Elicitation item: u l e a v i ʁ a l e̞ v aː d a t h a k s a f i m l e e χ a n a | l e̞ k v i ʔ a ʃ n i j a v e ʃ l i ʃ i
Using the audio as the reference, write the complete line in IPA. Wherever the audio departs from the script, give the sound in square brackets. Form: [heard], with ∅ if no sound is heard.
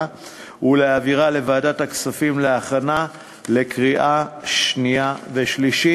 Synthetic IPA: u l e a v i ʁ a l e̞ v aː d a t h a k s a f i m l e [a] χ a n a | l e̞ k [ʁ] i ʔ a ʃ n i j a v e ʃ l i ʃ i

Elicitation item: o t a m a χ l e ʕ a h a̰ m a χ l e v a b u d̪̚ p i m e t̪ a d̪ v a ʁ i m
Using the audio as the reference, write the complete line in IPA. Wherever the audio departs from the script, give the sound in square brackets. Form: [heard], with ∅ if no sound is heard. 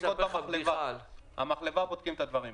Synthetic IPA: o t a m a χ l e [v] a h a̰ m a χ l e v a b [o] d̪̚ [k] i m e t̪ a d̪ v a ʁ i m

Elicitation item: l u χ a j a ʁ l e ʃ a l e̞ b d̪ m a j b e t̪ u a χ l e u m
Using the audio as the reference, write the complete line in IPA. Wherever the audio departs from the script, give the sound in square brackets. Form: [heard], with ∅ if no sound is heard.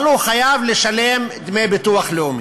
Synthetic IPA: l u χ a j a [v] l e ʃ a l e̞ [m] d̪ m [e] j b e t̪ u a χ l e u m

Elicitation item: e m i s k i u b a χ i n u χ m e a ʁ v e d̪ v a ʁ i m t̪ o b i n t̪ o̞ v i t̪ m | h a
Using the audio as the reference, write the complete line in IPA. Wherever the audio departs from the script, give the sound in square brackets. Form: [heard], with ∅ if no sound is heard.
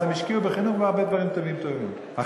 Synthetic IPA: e m i [ʃ] k i u b [e] χ i n u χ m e a ʁ [b] e d̪ v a ʁ i m t̪ o [v] i [m] t̪ o̞ v i [∅] m | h a

